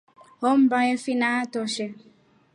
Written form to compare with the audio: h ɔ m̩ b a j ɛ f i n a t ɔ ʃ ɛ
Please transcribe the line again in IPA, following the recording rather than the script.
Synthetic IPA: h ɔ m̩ b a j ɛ f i n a t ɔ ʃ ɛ